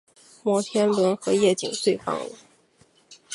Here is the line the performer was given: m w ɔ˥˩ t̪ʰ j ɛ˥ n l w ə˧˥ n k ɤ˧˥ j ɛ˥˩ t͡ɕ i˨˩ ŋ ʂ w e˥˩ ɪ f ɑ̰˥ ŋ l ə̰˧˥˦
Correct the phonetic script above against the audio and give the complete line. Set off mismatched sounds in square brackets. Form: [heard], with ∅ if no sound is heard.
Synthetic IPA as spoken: m w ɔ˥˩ t̪ʰ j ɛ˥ n l w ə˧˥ n [x] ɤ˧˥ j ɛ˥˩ t͡ɕ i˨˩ ŋ [s] w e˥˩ ɪ f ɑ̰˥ ŋ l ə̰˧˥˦